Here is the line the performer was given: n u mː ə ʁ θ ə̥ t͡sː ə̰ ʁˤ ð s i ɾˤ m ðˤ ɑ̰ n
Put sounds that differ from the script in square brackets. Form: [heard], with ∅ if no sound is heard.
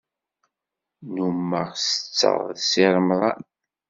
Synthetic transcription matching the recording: n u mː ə ʁ [s] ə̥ t͡sː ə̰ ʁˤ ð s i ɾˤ m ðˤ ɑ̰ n

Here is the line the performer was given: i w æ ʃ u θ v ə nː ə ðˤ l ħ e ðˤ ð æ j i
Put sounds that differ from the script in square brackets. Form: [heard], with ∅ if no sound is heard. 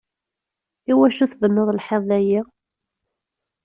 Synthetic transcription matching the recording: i w æ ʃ u θ v ə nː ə ðˤ l ħ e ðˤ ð æ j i

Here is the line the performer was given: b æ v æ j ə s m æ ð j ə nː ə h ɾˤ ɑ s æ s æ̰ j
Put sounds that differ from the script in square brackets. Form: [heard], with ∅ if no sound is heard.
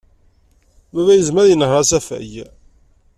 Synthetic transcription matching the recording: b æ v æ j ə [z] m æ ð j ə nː ə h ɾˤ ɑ s æ [f] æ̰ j

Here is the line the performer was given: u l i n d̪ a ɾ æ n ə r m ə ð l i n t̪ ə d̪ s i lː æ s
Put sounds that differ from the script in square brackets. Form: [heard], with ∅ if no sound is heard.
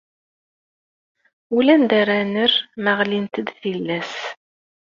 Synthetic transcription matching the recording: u l [æ] n d̪ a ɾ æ n ə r m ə [ʁ] l i n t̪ ə d̪ [θ] i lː æ s

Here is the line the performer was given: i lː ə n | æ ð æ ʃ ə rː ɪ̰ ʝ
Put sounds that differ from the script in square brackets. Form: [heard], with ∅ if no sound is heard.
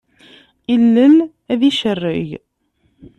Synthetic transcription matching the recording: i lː ə n | æ ð [i] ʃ ə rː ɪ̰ ʝ

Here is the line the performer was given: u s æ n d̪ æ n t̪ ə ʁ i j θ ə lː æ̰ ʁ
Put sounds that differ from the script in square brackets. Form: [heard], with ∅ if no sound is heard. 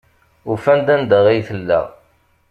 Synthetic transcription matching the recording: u [f] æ n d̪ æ n [d̪] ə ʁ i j θ ə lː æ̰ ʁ

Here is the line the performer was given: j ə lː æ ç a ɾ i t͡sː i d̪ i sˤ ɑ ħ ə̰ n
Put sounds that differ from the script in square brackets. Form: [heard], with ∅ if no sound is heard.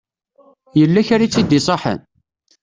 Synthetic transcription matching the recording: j ə lː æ ç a ɾ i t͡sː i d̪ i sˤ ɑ ħ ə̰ n

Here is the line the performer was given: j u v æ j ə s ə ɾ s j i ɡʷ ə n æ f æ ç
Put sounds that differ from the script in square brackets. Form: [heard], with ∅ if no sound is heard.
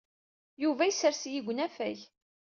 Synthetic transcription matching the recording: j u v æ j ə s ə ɾ s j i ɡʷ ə n æ f æ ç

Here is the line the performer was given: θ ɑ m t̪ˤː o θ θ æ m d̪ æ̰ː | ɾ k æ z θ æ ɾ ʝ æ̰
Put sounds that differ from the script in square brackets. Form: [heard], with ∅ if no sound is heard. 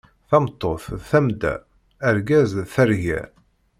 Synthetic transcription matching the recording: θ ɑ m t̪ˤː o θ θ æ m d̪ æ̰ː | ɾ [ɡ] æ z θ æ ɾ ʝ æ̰

